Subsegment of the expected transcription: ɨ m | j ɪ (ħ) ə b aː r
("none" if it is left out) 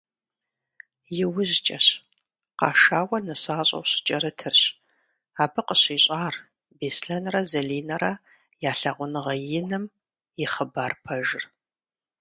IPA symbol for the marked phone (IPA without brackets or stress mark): χ